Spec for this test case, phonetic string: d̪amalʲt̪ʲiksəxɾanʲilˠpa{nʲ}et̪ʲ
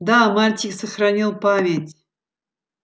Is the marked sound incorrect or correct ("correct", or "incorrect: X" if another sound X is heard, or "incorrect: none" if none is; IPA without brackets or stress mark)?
incorrect: mʲ